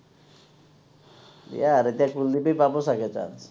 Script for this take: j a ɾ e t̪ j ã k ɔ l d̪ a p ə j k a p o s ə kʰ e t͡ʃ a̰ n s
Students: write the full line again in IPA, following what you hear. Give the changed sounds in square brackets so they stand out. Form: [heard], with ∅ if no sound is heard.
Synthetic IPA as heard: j a ɾ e t̪ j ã k [u] l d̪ [i] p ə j [p] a p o s [a] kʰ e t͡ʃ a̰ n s